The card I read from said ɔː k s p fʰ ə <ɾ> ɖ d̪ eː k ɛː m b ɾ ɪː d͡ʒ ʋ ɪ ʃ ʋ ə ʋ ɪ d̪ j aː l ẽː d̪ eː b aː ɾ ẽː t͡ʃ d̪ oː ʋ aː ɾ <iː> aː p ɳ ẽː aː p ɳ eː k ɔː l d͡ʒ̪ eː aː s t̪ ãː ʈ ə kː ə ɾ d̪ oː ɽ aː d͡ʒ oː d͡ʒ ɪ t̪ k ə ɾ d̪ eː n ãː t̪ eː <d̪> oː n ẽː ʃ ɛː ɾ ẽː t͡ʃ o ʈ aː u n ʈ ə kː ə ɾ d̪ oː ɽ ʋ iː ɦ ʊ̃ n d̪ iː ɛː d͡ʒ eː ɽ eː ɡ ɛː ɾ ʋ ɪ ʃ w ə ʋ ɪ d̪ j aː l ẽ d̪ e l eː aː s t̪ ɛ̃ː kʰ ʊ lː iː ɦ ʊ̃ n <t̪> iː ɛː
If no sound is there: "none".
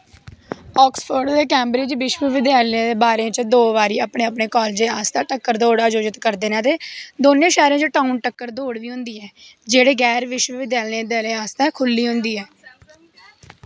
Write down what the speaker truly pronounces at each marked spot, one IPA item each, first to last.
ɾ, iː, d̪, d̪

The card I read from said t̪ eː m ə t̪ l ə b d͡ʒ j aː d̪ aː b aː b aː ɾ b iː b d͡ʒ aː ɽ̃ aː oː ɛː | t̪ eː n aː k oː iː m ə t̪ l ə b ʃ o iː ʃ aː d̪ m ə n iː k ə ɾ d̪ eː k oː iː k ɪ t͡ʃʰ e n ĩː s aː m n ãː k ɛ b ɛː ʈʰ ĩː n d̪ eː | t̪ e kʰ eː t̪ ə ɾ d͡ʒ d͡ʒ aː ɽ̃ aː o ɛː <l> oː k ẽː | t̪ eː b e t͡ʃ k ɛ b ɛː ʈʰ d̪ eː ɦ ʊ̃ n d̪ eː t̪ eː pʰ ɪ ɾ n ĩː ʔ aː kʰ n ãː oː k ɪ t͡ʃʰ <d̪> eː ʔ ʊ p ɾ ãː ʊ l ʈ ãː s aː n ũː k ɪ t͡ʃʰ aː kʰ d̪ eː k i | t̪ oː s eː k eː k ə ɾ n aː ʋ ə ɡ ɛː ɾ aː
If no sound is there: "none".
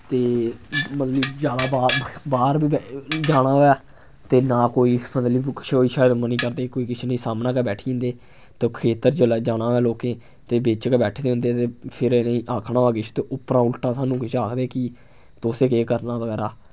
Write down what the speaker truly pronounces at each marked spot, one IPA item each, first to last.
l, t̪

